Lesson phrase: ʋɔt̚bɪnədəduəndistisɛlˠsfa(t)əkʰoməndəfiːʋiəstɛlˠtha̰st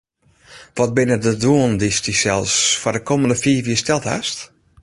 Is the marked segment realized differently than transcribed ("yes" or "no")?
yes